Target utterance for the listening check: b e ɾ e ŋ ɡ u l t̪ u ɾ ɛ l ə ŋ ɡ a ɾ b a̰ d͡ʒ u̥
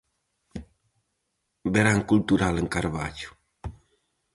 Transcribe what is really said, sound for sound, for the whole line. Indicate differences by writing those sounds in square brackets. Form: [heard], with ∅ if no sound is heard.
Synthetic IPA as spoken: b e ɾ [a] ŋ [k] u l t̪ u ɾ [a] l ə ŋ [k] a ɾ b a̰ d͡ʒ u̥